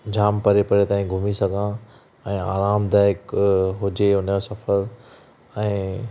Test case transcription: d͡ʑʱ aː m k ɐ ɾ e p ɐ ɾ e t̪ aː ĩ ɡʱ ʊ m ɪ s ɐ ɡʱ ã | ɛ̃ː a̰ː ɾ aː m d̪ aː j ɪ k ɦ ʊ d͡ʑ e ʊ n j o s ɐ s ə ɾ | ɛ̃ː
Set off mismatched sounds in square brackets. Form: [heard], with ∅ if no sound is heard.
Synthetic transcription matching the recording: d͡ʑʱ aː m [p] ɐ ɾ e p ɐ ɾ e t̪ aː ĩ ɡʱ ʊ m [i] s ɐ ɡʱ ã | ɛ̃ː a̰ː ɾ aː m d̪ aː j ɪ k ɦ ʊ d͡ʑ e ʊ n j o s ɐ [f] ə ɾ | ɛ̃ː